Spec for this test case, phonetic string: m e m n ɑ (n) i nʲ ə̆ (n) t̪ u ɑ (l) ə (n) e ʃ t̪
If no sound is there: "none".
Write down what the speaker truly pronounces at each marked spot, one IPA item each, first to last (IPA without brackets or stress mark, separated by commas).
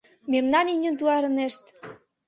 n, n, ɾ, n